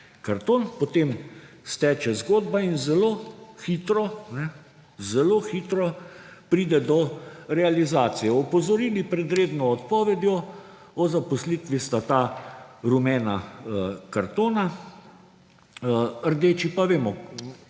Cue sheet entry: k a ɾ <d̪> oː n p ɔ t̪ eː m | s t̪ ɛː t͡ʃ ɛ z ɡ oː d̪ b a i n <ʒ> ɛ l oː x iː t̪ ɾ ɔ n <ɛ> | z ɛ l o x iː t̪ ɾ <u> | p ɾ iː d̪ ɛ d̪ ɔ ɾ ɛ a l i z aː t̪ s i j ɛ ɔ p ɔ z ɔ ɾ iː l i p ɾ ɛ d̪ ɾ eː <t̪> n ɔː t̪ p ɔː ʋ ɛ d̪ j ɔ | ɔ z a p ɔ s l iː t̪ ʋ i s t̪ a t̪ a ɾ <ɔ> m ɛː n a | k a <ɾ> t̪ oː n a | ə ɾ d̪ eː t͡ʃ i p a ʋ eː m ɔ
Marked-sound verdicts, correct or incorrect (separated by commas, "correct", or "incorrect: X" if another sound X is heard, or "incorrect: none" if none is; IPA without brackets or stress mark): incorrect: t̪, incorrect: z, correct, incorrect: ɔ, incorrect: d̪, incorrect: u, correct